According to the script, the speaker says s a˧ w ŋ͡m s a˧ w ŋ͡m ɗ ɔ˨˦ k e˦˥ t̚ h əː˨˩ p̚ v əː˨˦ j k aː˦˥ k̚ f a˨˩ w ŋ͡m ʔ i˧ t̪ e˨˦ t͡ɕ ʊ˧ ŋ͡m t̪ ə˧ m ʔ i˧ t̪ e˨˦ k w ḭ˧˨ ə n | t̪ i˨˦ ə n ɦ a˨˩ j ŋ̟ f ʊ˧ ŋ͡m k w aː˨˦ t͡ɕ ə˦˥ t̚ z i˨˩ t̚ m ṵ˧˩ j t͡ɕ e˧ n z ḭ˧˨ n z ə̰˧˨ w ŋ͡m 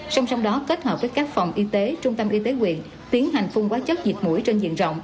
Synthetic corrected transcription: s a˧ w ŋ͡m s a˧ w ŋ͡m ɗ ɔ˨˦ k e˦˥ t̚ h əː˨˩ p̚ v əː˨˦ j k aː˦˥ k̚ f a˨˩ w ŋ͡m ʔ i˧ t̪ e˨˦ t͡ɕ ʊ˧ ŋ͡m t̪ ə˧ m ʔ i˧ t̪ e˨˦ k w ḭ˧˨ ə n | t̪ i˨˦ ə n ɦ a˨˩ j ŋ̟ f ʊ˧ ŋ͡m k w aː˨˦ t͡ɕ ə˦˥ t̚ z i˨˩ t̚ m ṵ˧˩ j t͡ɕ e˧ n z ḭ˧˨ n z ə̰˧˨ w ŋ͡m

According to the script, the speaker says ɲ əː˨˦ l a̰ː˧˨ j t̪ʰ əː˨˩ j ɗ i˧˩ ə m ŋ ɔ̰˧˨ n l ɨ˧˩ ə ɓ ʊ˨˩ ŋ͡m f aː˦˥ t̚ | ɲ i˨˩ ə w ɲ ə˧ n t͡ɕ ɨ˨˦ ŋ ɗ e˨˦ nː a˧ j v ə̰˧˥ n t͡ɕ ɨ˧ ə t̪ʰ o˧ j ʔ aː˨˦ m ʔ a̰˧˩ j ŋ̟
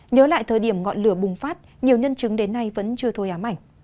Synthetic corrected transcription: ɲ əː˨˦ l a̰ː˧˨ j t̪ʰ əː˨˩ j ɗ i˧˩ ə m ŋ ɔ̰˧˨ n l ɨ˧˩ ə ɓ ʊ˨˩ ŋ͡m f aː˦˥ t̚ | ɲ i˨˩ ə w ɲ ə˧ n t͡ɕ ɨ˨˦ ŋ ɗ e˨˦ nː a˧ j v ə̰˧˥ n t͡ɕ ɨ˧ ə t̪ʰ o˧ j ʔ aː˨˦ m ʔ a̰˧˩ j ŋ̟

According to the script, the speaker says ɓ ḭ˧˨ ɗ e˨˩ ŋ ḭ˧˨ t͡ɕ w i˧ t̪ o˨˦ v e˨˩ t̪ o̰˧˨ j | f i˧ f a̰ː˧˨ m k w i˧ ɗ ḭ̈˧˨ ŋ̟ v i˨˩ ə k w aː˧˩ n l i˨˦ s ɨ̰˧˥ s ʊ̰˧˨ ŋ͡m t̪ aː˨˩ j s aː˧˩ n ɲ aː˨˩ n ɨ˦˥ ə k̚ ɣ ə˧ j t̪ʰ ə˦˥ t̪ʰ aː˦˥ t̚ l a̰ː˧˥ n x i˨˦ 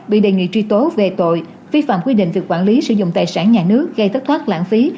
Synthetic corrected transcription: ɓ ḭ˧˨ ɗ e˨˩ ŋ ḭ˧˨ t͡ɕ w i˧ t̪ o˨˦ v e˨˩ t̪ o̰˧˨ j | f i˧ f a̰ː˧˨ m k w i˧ ɗ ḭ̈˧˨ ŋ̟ v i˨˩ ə k w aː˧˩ n l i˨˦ s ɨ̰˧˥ z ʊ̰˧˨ ŋ͡m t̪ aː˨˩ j s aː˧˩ n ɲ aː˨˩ n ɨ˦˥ ə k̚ ɣ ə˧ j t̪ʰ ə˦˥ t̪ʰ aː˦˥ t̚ l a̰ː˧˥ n f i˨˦

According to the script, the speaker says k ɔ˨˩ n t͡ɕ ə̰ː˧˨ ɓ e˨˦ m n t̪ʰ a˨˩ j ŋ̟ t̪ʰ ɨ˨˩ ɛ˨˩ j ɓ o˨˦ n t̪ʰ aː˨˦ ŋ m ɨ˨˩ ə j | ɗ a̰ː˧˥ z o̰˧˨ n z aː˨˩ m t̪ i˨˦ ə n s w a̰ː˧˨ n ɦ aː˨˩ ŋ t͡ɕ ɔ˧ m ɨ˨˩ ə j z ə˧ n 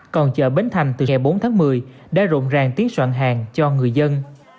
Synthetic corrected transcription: k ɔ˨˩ n t͡ɕ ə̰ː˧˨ ɓ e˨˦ n t̪ʰ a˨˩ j ŋ̟ t̪ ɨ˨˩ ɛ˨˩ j ɓ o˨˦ n t̪ʰ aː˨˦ ŋ m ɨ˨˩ ə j | ɗ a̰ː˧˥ z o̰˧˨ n z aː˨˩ ŋ t̪ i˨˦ ə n s w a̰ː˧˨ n ɦ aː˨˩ ŋ t͡ɕ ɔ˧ ŋ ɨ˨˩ ə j z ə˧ n

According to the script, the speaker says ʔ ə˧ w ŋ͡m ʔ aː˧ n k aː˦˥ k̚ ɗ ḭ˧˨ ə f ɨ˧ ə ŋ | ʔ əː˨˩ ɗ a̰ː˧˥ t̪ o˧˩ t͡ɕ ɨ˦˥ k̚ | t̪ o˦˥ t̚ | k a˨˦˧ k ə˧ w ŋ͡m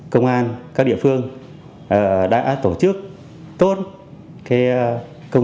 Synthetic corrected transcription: k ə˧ w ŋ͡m ʔ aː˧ n k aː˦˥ k̚ ɗ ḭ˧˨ ə f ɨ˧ ə ŋ | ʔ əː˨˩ ɗ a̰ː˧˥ t̪ o˧˩ t͡ɕ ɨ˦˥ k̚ | t̪ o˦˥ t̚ | k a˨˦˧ k ə˧ w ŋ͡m

